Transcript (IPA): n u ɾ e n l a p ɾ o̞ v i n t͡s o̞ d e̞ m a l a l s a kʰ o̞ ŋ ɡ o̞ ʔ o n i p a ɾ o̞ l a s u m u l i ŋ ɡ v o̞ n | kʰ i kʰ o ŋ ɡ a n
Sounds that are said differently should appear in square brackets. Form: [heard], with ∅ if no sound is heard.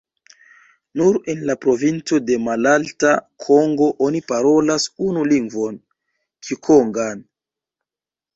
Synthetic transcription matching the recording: n u ɾ e n l a p ɾ o̞ v i n t͡s o̞ d e̞ m a l a l [t] a kʰ o̞ ŋ ɡ o̞ ʔ o n i p a ɾ o̞ l a s u [n] u l i ŋ ɡ v o̞ n | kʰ i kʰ o ŋ ɡ a n